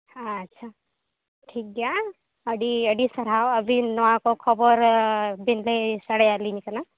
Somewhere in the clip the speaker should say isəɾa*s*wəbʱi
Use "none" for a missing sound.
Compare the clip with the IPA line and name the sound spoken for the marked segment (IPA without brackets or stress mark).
none